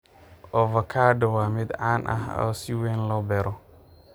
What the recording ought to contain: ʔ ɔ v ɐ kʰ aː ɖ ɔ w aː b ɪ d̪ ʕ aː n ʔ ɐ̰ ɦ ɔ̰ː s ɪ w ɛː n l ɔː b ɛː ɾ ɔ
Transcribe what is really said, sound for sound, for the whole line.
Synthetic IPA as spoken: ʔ ɔ v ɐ kʰ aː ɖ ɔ w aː m ɪ d̪ ʕ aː n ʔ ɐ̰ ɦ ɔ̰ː s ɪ w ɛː n l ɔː b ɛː ɾ ɔ